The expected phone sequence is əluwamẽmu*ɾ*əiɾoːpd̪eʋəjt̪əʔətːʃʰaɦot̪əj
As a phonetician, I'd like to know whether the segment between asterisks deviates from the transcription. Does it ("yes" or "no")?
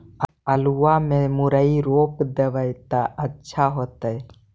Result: no